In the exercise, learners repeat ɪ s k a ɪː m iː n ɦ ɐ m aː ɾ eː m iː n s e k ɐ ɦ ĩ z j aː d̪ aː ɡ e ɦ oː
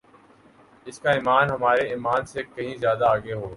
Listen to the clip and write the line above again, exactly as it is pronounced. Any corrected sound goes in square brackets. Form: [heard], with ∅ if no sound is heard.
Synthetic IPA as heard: ɪ s k a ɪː m [aː] n ɦ ɐ m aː ɾ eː m [aː] n s e k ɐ ɦ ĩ z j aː d̪ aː ɡ e ɦ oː